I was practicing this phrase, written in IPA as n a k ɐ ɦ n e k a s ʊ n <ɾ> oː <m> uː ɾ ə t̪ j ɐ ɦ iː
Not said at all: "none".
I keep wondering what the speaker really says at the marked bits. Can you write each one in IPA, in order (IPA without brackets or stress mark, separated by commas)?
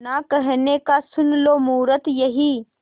l, m